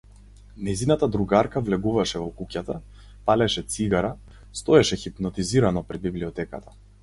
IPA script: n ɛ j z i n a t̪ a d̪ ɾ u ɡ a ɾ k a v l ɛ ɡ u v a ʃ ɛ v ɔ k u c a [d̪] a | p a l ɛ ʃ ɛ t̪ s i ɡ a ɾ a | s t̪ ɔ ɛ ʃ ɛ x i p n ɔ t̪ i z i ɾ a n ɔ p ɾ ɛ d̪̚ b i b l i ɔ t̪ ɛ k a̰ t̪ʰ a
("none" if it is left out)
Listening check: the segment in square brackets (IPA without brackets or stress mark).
t̪